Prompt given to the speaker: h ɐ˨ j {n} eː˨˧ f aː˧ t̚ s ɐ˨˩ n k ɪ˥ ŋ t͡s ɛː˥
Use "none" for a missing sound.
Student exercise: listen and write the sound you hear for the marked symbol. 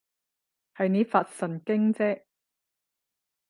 n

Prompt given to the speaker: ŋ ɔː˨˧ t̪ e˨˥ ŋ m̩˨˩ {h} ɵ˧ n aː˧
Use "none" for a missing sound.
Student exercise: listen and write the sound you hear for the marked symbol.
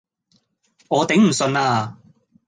s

